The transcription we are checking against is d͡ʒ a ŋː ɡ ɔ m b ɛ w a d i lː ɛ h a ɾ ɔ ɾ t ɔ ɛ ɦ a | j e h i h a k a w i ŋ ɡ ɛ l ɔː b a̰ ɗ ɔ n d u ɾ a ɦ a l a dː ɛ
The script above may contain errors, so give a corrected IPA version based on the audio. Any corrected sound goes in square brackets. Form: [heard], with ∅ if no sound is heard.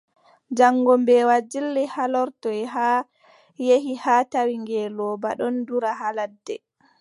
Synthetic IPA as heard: d͡ʒ a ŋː ɡ ɔ m b ɛ w a [d͡ʒ] i lː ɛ h a [l] ɔ ɾ t ɔ ɛ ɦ a | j e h i h a [t] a w i ŋ ɡ ɛ l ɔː b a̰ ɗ ɔ n d u ɾ a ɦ a l a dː ɛ